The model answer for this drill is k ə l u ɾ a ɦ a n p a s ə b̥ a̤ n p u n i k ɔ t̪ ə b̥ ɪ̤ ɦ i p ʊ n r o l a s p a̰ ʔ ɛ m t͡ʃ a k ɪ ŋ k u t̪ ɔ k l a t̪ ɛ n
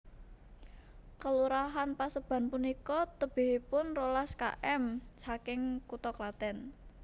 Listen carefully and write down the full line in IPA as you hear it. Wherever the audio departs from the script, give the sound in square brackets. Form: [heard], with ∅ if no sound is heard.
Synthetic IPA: k ə l u ɾ a ɦ a n p a s ə b̥ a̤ n p u n i k ɔ t̪ ə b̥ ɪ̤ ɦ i p ʊ n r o l a s [k] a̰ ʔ ɛ m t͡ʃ a k ɪ ŋ k u t̪ ɔ k l a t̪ ɛ n